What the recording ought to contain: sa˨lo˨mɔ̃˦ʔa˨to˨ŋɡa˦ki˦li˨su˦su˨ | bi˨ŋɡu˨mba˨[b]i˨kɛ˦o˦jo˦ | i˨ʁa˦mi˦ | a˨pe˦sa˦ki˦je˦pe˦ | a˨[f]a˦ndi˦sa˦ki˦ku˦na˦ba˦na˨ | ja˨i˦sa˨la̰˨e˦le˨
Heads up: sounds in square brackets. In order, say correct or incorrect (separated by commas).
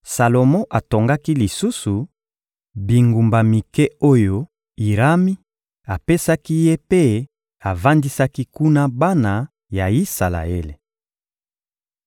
incorrect, incorrect